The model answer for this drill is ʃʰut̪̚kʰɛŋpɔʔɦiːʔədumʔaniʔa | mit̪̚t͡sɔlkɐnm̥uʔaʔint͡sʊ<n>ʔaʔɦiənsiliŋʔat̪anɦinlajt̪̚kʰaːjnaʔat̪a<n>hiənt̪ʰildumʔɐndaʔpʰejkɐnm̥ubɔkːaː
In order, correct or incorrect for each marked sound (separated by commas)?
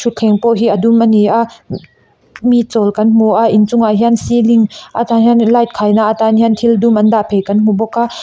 incorrect, correct